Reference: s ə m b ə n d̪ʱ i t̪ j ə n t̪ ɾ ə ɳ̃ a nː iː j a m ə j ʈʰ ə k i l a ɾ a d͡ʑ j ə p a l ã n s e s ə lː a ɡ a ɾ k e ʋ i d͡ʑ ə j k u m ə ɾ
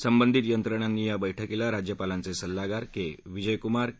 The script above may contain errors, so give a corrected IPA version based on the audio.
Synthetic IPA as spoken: s ə m b ə n d̪ʱ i t̪ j ə n t̪ ɾ ə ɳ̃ a nː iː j a b ə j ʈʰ ə k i l a ɾ a d͡ʑ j ə p a l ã n t͡s e s ə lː a ɡ a ɾ k e ʋ i d͡ʑ ə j k u m a ɾ